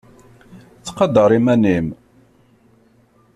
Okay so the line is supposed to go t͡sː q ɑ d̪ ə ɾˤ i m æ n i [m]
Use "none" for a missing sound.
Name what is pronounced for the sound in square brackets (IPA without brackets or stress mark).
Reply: m